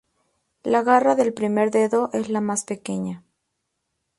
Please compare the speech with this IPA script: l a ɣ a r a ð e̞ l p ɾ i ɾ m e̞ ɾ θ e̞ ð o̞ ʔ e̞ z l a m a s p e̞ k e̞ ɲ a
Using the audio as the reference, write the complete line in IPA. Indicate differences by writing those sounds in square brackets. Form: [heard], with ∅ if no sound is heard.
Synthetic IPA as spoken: l a ɣ a r a ð e̞ l p ɾ i [∅] m e̞ ɾ [ð] e̞ ð o̞ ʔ e̞ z l a m a s p e̞ k e̞ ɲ a